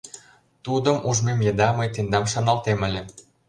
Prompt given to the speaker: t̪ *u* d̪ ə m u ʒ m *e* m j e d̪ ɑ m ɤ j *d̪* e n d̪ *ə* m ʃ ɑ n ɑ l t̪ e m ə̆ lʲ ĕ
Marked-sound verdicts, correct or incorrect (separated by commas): correct, correct, incorrect, incorrect